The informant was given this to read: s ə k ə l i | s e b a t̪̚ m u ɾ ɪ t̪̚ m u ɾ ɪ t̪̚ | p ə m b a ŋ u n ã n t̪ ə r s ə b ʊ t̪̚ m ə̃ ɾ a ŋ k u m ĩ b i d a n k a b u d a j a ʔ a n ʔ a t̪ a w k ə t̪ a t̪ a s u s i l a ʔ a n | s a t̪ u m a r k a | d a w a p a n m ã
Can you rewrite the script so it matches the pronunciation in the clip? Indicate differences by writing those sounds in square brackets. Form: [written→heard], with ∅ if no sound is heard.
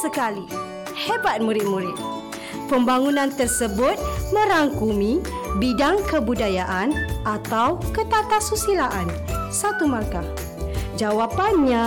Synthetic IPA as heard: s ə k [ə→a] l i | [s→h] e b a t̪̚ m u ɾ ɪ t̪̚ m u ɾ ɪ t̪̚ | p ə m b a ŋ u n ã n t̪ ə r s ə b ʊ t̪̚ m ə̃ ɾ a ŋ k u m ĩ b i d a [n→ŋ] k [a→ə] b u d a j a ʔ a n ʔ a t̪ a w k ə t̪ a t̪ a s u s i l a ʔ a n | s a t̪ u m a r k a | [d→d͡ʒ] a w a p a n [m→ɲ] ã